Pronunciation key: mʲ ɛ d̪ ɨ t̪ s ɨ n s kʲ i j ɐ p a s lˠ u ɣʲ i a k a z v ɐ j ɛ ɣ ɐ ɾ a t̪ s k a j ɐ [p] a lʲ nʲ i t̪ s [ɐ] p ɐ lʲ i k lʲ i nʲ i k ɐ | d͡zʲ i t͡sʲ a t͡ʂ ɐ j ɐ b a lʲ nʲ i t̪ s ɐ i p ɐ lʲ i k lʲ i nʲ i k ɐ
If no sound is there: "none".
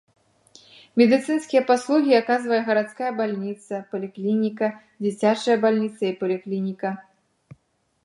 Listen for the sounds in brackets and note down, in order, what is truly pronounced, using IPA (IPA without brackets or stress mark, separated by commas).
b, ɐ